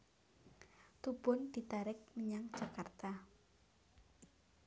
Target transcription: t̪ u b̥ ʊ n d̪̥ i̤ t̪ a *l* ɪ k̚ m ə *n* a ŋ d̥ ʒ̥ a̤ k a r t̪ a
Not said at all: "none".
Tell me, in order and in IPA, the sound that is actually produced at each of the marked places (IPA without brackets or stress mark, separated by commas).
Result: ɾ, ɲ